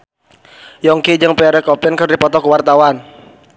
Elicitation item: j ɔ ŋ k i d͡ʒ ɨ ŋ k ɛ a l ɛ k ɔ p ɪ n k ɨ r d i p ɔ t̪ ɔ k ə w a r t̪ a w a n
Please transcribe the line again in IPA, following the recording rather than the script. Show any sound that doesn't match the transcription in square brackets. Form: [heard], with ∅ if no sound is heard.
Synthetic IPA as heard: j ɔ ŋ k i d͡ʒ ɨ ŋ [p] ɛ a [ɾ] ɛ k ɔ p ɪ n k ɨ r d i p ɔ t̪ ɔ k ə w a r t̪ a w a n